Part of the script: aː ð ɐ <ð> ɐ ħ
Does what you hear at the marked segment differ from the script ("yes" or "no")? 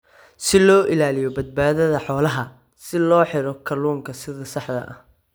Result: no